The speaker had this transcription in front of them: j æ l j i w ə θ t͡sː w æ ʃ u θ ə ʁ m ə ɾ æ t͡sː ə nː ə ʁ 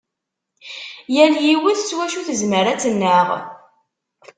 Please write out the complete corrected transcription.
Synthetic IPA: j æ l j i w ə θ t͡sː w æ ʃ u θ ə z m ə ɾ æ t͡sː ə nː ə ʁ